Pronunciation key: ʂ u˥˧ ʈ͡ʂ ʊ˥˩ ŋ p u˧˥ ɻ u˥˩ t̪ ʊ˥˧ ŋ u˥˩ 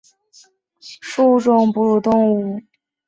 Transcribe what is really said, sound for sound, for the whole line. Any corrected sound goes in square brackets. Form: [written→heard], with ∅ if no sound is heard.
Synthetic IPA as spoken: ʂ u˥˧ ʈ͡ʂ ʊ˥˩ ŋ p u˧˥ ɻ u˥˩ t̪ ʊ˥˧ ŋ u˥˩